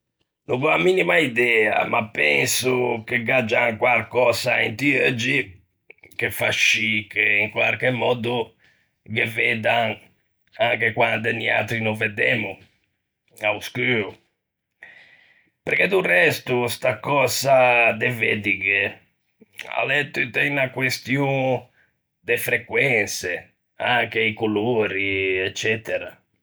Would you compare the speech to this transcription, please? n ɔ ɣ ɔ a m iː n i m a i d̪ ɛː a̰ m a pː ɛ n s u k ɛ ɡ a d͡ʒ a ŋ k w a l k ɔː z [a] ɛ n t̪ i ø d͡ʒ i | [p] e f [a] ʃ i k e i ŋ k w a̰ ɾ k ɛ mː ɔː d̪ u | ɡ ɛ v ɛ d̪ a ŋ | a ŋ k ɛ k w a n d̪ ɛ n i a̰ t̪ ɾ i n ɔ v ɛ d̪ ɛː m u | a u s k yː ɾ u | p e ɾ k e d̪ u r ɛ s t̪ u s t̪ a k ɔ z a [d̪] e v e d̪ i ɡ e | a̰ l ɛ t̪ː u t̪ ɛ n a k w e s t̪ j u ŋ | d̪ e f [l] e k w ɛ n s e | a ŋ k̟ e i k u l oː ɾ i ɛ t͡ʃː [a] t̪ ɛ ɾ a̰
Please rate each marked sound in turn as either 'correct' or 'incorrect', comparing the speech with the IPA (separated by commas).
correct, incorrect, correct, correct, incorrect, incorrect